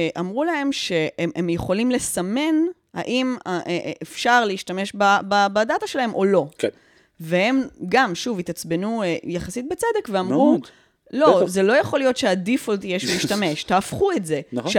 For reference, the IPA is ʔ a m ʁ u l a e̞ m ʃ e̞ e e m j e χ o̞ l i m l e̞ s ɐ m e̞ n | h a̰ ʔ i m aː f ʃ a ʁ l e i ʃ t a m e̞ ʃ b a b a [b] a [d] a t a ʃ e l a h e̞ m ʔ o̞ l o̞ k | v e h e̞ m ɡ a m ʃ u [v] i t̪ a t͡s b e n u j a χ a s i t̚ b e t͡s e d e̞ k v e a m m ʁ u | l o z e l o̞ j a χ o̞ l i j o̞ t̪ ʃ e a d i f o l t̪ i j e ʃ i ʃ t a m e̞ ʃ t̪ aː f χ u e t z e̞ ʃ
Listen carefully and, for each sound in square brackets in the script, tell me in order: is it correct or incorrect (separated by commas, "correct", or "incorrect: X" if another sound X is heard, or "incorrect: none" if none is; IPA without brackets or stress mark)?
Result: correct, correct, correct